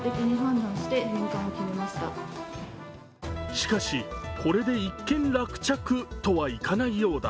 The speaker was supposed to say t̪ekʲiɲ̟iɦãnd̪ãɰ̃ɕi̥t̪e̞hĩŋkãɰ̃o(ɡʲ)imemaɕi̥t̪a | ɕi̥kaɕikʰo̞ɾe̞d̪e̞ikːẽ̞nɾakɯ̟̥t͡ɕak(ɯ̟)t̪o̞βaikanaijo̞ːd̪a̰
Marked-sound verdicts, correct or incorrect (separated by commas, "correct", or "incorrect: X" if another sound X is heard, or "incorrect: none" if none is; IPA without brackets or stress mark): incorrect: kʲ, correct